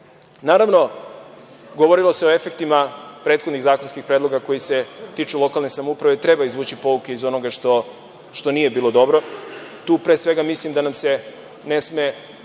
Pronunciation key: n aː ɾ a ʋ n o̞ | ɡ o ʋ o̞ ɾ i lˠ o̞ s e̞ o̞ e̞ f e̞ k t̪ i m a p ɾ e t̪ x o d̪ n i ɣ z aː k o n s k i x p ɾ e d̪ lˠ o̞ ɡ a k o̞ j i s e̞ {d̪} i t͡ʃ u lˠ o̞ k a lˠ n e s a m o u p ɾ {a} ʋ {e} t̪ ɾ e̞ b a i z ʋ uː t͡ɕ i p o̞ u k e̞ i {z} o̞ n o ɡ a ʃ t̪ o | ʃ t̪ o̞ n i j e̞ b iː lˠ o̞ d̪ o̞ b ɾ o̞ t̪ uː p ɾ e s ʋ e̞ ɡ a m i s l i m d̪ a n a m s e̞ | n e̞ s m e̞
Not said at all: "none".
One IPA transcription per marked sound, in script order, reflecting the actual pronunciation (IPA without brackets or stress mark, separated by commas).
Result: t̪, a, e, z